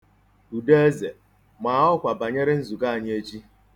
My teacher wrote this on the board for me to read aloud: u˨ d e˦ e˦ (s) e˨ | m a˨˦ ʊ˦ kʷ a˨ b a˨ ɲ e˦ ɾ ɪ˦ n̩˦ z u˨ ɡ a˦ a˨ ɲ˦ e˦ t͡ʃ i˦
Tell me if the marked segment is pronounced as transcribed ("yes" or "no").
no